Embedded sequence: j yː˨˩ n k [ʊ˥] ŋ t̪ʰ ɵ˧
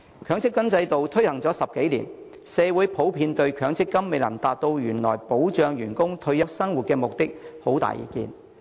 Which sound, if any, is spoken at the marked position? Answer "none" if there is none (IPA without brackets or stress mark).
ʊ˥